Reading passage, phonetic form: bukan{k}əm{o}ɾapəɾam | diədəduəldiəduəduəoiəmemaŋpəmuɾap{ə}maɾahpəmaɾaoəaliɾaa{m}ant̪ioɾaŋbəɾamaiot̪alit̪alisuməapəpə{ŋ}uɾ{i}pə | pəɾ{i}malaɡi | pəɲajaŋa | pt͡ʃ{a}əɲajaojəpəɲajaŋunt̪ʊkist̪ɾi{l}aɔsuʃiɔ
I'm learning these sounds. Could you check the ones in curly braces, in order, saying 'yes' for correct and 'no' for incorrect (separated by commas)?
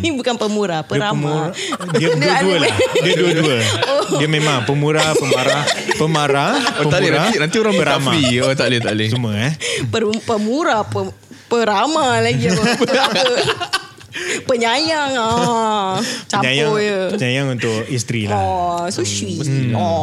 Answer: no, no, yes, no, no, no, no, yes, yes